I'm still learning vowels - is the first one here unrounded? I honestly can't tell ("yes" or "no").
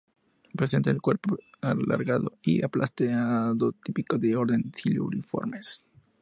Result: yes